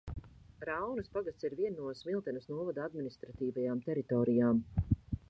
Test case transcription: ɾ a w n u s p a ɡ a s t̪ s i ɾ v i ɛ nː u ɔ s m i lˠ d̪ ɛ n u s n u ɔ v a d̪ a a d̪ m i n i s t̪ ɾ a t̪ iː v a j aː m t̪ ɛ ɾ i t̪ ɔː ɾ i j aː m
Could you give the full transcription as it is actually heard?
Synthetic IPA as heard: ɾ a w n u s p a ɡ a s t̪ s i ɾ v i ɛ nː u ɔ s m i lˠ t̪ ɛ n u s n u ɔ v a d̪ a a d̪ m i n i s t̪ ɾ a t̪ iː v a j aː m t̪ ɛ ɾ i t̪ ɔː ɾ i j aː m